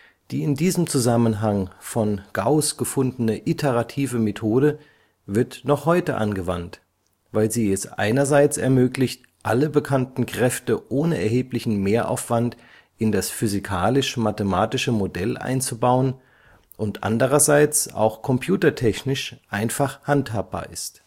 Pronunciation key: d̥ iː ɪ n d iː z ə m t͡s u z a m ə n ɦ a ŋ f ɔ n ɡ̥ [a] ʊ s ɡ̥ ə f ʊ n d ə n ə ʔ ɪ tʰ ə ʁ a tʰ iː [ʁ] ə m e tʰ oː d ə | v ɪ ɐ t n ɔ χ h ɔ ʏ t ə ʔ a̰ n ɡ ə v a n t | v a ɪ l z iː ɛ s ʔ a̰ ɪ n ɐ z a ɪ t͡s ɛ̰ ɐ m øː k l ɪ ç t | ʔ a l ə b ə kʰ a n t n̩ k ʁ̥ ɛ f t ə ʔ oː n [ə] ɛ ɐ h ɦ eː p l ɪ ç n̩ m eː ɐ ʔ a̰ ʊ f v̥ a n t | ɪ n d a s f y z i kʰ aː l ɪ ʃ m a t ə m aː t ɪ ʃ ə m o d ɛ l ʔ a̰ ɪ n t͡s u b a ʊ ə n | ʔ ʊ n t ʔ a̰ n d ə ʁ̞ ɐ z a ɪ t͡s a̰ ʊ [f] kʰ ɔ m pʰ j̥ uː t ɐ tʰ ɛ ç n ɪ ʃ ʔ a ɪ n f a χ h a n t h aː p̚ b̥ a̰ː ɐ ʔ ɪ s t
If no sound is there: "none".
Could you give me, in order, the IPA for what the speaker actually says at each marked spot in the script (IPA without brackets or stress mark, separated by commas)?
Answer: a, v, ə, x